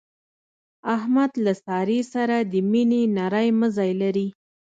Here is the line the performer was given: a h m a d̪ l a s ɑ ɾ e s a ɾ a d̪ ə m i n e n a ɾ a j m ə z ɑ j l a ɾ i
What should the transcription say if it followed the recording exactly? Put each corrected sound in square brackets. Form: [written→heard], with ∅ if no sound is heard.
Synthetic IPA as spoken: a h m a d̪ l a s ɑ ɾ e s a ɾ a d̪ ə m i n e n a ɾ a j m ə z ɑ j l a ɾ i